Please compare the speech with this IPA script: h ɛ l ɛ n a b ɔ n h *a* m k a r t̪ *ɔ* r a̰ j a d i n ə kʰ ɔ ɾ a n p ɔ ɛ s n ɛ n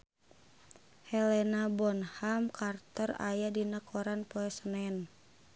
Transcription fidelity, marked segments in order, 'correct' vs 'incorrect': correct, correct

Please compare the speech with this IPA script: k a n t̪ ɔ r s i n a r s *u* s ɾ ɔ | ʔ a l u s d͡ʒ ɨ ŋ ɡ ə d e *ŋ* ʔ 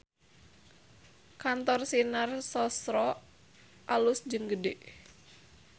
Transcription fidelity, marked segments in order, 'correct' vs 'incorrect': incorrect, incorrect

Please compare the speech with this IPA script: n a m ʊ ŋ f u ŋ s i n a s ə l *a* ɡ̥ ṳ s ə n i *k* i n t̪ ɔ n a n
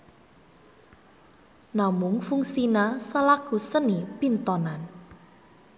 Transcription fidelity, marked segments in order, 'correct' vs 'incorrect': correct, incorrect

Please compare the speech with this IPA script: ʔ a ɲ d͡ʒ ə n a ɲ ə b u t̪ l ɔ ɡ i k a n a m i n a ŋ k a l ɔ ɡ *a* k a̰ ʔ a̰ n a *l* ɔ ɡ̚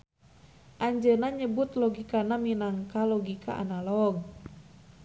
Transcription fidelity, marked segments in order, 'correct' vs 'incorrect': incorrect, correct

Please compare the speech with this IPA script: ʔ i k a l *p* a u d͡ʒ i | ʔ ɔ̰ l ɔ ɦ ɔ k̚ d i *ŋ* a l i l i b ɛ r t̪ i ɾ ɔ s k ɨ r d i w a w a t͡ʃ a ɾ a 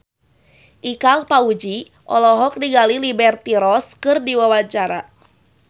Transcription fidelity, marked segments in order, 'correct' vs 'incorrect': correct, incorrect

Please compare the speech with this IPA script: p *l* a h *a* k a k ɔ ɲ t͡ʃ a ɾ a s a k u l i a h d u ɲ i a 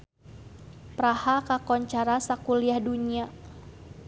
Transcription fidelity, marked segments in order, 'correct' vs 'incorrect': incorrect, correct

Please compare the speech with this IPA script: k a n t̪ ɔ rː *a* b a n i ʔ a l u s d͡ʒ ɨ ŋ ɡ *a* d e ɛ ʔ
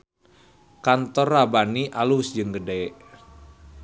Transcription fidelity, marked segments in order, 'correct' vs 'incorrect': correct, incorrect

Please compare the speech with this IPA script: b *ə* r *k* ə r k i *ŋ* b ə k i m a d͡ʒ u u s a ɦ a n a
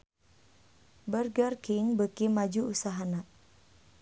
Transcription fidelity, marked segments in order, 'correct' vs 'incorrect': correct, incorrect, correct

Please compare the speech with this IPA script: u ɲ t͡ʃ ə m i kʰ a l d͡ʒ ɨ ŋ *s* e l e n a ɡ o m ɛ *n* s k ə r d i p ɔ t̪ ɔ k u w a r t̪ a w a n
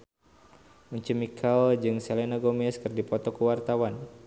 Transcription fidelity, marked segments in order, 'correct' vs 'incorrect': correct, incorrect

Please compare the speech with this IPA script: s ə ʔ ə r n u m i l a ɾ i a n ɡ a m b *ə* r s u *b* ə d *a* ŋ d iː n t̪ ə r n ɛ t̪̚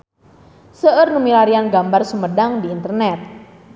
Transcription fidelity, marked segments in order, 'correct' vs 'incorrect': incorrect, incorrect, correct

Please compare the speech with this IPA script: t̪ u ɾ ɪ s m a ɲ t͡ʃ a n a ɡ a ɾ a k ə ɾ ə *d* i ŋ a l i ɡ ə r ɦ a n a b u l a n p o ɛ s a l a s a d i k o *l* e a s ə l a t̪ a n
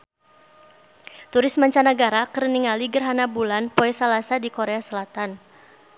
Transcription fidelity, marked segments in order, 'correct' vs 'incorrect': incorrect, incorrect

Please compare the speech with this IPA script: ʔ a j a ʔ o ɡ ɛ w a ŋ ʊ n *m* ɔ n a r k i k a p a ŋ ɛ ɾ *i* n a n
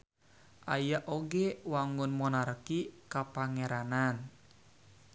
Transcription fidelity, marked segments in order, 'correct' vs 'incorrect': correct, incorrect

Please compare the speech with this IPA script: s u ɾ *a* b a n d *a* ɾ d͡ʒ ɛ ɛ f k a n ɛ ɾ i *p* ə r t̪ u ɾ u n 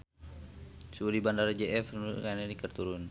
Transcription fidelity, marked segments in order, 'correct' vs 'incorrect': incorrect, correct, incorrect

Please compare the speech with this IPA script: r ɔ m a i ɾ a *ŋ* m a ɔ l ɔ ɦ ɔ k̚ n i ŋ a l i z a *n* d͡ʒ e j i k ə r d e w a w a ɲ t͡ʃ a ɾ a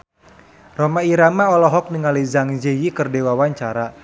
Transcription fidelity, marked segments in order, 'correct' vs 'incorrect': incorrect, incorrect

